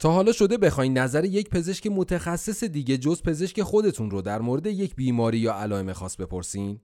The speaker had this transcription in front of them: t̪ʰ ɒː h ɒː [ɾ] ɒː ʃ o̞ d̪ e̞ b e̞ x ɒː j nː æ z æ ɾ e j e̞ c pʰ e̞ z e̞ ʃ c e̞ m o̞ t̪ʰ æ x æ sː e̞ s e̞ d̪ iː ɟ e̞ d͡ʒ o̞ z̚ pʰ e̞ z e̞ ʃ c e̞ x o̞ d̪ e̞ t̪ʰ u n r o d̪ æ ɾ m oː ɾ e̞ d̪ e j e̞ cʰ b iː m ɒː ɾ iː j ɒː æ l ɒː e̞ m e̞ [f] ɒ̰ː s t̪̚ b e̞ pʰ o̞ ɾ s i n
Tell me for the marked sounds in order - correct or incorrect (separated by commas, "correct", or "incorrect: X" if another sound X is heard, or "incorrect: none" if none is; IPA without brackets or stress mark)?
incorrect: l, incorrect: x